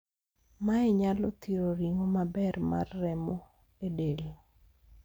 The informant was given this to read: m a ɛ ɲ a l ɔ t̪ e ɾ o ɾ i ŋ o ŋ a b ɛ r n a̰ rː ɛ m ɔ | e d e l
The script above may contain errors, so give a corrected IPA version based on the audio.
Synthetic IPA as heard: m a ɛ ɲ a l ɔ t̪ i ɾ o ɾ i ŋ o m a b ɛ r m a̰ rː ɛ m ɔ | e d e l